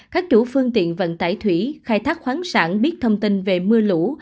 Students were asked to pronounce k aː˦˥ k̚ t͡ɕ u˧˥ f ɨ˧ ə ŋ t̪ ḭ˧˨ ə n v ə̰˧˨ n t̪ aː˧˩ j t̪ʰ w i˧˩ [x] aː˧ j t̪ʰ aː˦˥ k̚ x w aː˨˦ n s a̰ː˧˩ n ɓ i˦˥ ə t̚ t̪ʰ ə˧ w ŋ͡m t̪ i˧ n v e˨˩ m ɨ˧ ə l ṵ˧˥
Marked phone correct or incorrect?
correct